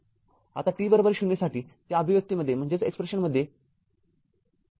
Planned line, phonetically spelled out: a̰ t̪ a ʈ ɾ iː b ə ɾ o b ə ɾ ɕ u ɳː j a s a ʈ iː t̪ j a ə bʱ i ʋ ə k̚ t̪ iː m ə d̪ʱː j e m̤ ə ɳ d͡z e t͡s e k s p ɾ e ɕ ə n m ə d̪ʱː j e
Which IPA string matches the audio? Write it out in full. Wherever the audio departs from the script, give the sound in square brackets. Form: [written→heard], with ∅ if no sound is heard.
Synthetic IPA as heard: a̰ t̪ a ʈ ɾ iː b ə ɾ o b ə ɾ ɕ u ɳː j a s a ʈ iː t̪ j a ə bʱ i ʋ ə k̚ t̪ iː m ə d̪ʱː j e m̤ ə ɳ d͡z e t͡s e k s p ɾ e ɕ ə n m ə d̪ʱː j e